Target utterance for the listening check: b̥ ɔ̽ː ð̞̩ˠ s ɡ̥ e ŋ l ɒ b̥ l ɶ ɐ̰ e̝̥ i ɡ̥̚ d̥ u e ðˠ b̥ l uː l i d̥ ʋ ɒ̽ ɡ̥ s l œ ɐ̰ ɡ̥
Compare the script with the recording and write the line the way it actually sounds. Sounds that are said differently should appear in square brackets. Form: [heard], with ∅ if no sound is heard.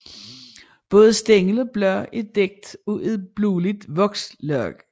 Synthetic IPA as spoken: b̥ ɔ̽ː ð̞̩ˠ s [d̥] e ŋ l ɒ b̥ l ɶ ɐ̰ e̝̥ [e] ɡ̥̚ d̥ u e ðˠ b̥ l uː l i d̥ ʋ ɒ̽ ɡ̥ s l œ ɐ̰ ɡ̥